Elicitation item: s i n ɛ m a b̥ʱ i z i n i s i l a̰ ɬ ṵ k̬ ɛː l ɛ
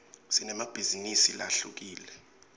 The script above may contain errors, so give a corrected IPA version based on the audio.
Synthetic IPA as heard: s i n ɛ m a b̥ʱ i z i n i s i l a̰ ɬ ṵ k̬ iː l ɛ